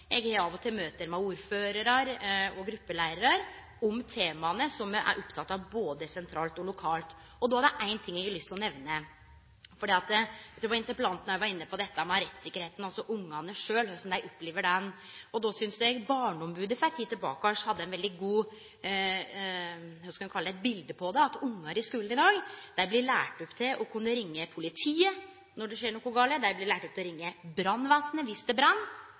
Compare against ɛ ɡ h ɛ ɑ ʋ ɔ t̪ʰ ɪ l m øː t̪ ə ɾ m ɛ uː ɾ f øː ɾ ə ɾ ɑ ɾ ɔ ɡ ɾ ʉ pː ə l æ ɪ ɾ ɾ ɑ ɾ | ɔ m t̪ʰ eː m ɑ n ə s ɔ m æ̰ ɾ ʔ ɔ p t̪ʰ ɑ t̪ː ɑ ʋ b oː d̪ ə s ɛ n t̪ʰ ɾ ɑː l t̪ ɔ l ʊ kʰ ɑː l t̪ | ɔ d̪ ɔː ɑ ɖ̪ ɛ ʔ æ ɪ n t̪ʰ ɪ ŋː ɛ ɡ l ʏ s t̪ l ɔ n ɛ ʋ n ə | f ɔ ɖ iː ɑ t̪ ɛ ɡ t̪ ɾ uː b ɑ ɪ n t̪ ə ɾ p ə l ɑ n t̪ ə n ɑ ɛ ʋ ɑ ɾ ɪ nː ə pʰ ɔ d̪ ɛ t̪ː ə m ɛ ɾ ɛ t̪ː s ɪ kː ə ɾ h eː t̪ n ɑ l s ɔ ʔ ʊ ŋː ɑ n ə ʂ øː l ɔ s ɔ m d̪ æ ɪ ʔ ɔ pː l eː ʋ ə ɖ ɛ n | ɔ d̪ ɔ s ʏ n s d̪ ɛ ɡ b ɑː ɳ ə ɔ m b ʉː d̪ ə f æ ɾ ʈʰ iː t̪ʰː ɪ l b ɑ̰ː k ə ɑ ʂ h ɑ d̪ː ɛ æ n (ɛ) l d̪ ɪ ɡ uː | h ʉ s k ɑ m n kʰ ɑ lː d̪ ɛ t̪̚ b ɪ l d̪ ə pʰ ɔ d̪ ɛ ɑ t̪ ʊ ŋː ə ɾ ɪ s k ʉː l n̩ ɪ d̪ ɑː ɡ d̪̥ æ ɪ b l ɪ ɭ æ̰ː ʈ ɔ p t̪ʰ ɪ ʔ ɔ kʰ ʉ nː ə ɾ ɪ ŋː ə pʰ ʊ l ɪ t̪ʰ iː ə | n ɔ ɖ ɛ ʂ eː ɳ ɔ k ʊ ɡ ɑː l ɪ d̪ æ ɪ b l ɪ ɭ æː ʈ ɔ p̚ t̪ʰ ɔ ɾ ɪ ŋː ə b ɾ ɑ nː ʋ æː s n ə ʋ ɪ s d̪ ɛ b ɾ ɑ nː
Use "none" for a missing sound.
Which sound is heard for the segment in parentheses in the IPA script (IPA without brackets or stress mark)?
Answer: ɛ